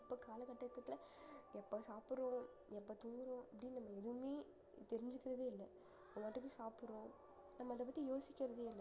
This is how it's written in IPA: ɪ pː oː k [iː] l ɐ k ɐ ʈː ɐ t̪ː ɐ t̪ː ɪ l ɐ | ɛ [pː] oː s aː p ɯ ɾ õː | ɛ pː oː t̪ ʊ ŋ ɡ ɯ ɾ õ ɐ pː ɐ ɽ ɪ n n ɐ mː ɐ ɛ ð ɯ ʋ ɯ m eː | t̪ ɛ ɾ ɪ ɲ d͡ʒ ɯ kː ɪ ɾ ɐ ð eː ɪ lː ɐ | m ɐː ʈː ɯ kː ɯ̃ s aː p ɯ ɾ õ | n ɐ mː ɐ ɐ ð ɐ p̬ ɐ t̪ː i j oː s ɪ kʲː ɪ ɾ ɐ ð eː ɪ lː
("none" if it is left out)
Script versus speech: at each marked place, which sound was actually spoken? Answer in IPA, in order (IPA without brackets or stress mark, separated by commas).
aː, pː